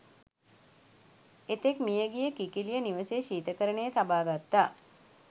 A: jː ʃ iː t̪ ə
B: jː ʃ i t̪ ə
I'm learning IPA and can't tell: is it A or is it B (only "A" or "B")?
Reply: A